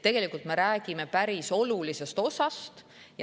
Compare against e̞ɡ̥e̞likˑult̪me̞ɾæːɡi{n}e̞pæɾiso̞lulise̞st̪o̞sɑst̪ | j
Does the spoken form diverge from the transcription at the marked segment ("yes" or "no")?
yes